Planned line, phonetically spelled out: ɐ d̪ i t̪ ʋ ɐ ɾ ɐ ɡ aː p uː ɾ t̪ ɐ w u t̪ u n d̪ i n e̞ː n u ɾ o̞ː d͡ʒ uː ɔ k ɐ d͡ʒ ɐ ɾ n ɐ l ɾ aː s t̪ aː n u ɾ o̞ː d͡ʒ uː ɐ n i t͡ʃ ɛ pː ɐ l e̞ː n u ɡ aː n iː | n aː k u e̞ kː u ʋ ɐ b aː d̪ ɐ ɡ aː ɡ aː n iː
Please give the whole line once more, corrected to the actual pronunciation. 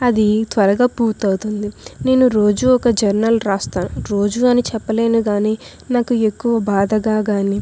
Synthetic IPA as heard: ɐ d̪ i t̪ ʋ ɐ ɾ ɐ ɡ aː p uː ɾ t̪ ɐ w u t̪ u n d̪ i n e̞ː n u ɾ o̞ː d͡ʒ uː ɔ k ɐ d͡ʒ ɐ ɾ n ɐ l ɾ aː s t̪ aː n u ɾ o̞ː d͡ʒ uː ɐ n i t͡ʃ ɛ pː ɐ l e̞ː n u ɡ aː n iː | n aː k u e̞ kː u ʋ ɐ b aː d̪ ɐ ɡ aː ɡ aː n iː